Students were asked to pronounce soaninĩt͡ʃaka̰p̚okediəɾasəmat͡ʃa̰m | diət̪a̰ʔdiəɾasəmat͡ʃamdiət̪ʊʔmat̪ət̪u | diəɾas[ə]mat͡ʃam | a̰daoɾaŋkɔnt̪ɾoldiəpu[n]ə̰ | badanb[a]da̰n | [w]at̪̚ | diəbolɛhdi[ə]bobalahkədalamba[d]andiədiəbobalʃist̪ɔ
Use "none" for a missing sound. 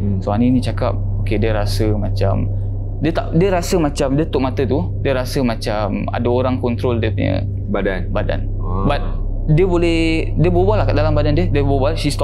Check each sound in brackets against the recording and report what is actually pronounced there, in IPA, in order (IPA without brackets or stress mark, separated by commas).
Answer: ə, ɲ, a, b, ə, d